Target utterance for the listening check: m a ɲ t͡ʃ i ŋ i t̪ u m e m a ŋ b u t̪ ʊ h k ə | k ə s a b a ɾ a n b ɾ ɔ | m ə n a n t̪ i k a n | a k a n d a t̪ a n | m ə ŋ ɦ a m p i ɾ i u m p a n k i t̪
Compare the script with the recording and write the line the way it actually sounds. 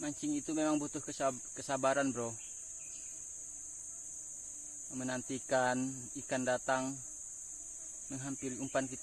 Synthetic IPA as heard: m a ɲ t͡ʃ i ŋ i t̪ u m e m a ŋ b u t̪ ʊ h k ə | k ə s a b a ɾ a n b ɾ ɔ | m ə n a n t̪ i k a n | i k a n d a t̪ a ŋ | m ə ŋ ɦ a m p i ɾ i u m p a n k i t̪